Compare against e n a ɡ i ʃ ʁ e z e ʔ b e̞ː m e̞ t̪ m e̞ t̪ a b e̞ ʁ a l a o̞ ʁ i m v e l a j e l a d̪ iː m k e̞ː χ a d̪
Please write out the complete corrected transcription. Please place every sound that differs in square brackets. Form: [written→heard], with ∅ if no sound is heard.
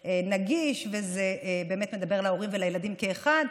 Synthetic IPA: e n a ɡ i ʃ [ʁ→v] e z e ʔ b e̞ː m e̞ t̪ m e̞ [t̪→d̪] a b e̞ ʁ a l a o̞ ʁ i m v e l a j e l a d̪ [iː→i] m k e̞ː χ a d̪